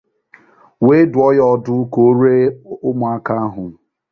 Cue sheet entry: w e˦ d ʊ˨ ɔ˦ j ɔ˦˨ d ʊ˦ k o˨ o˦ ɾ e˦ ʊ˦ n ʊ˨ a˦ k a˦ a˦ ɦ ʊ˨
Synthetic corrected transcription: w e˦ d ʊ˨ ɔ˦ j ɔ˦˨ d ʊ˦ k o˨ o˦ ɾ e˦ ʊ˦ m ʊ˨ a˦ k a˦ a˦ ɦ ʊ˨